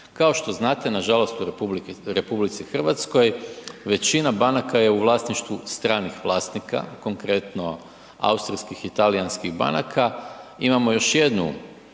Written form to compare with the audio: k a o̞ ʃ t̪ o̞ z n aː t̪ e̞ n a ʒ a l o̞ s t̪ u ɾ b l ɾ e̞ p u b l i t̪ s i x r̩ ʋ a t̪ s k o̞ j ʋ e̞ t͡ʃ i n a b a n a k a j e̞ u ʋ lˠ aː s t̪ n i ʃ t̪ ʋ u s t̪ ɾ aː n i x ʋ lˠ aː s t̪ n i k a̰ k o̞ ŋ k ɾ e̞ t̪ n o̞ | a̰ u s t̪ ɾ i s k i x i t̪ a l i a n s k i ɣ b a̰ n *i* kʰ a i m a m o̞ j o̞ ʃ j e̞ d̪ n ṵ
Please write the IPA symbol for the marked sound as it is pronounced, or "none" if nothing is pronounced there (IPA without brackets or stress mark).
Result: a